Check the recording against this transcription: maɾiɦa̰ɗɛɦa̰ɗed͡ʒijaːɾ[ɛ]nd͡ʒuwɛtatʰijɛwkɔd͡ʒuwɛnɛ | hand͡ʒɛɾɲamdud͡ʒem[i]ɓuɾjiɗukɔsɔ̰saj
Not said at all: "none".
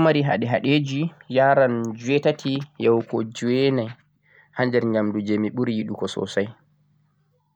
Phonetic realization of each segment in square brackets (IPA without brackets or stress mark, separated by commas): a, i